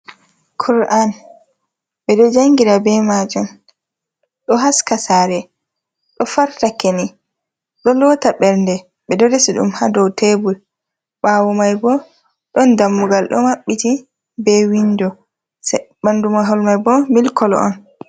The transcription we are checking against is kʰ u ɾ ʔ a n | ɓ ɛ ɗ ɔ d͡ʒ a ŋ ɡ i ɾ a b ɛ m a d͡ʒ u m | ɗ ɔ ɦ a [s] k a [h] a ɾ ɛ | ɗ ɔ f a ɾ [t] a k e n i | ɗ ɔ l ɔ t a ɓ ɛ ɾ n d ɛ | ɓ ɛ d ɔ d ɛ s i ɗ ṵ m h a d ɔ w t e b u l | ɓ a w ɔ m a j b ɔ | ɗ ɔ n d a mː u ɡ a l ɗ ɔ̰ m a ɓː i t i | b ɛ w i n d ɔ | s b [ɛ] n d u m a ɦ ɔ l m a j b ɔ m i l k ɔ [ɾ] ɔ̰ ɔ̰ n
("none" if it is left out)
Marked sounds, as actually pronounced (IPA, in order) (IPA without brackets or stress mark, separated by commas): s, s, t, a, l